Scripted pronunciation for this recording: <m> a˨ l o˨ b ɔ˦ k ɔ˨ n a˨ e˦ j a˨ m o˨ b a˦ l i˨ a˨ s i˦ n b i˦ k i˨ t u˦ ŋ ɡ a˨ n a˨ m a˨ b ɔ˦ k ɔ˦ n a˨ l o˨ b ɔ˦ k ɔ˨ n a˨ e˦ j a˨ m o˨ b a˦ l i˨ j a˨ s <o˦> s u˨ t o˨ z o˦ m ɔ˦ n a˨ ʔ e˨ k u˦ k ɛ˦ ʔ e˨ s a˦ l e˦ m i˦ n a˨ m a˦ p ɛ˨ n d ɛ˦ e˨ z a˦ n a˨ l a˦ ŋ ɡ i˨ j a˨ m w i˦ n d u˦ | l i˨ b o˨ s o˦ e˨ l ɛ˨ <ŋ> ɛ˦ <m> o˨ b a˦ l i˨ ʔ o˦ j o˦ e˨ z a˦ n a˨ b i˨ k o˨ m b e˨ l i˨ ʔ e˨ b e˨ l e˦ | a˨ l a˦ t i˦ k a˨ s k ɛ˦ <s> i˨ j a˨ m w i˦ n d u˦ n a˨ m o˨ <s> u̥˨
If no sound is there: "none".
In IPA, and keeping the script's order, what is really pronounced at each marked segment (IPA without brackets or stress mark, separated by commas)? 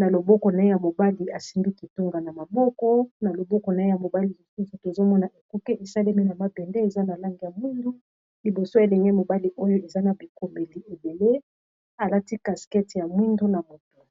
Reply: n, u˦, ŋ, m, t, t